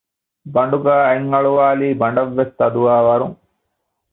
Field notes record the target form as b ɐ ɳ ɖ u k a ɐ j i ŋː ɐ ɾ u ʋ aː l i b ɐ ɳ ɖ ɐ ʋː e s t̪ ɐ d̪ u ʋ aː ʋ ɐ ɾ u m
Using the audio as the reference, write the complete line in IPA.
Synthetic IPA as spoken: b ɐ ɳ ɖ u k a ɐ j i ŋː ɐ ɭ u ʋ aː l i b ɐ ɳ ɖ ɐ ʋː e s t̪ ɐ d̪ u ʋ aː ʋ ɐ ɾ u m